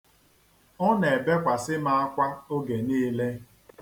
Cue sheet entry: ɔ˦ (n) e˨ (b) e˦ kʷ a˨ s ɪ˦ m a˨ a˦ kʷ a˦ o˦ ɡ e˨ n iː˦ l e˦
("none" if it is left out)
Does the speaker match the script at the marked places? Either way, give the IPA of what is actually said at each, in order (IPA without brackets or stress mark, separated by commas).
n, b